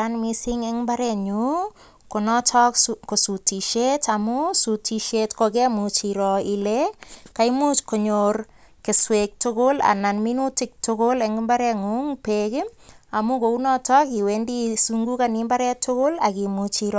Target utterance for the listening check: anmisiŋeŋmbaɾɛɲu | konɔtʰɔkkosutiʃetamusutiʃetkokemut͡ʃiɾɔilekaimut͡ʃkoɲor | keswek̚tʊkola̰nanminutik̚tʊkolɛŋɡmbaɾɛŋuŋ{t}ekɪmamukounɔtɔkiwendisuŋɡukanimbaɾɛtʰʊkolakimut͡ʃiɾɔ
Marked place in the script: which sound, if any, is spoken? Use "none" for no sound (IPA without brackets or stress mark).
p